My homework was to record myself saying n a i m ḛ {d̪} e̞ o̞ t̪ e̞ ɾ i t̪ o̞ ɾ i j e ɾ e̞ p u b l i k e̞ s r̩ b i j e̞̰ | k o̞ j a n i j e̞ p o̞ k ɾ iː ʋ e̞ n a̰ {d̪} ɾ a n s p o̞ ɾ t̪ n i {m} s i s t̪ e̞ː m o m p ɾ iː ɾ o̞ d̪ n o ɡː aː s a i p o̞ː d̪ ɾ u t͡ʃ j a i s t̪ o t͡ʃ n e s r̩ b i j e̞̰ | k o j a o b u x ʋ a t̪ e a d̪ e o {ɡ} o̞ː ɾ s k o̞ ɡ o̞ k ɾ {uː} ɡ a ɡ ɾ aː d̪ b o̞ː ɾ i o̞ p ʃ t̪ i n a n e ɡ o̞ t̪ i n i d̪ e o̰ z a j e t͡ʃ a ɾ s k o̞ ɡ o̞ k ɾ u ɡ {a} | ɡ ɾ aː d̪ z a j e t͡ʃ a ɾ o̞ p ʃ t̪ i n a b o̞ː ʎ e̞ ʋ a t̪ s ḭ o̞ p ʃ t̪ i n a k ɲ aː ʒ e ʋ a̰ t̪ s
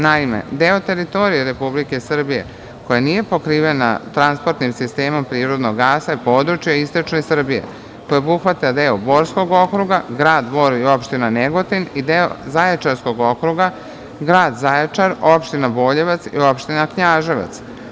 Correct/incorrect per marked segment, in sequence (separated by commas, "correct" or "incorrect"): correct, incorrect, correct, incorrect, incorrect, correct